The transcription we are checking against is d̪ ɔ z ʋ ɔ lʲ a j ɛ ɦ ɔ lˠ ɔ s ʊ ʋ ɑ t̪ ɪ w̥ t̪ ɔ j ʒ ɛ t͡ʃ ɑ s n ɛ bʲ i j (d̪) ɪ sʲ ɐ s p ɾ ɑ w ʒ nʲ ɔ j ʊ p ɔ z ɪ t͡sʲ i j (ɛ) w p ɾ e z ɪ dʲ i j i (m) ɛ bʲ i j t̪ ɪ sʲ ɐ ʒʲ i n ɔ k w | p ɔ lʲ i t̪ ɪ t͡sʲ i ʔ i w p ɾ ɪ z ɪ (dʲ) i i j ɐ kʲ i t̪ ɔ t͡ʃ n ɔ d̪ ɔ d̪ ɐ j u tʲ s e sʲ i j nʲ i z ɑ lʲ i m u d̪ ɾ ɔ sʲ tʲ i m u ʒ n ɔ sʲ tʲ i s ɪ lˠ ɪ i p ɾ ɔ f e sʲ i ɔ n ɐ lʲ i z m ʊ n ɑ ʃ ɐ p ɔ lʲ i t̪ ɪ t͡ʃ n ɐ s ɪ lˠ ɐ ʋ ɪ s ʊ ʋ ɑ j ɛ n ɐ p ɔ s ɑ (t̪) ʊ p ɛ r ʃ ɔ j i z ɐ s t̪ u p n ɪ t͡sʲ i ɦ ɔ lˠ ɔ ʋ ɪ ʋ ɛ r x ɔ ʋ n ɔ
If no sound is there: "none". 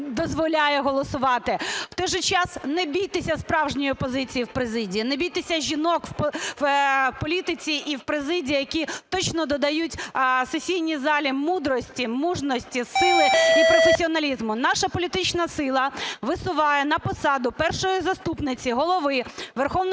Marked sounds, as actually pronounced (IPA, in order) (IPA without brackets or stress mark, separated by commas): t̪, i, n, dʲ, d̪